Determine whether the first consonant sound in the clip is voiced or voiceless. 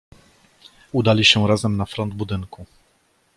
voiced